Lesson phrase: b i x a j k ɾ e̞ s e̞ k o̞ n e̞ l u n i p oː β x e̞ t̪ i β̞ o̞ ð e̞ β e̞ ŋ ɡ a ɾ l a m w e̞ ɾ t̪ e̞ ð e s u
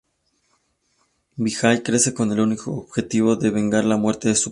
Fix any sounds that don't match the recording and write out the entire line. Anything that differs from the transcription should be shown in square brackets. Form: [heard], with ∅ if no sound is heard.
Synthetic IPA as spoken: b i x a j k ɾ e̞ s e̞ k o̞ n e̞ l u n i [k] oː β x e̞ t̪ i β̞ o̞ ð e̞ β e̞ ŋ ɡ a ɾ l a m w e̞ ɾ t̪ e̞ ð e s u